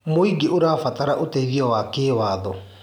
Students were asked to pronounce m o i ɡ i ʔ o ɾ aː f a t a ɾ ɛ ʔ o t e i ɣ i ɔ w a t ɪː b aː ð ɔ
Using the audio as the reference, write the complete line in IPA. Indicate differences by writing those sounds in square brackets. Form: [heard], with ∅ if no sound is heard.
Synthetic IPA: m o i ɡ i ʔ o ɾ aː f a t a ɾ [a] ʔ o t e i ɣ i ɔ w a [k] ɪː [w] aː ð ɔ